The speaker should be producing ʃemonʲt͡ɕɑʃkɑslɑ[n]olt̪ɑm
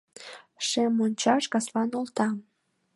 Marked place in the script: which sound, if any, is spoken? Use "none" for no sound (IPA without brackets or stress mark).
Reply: n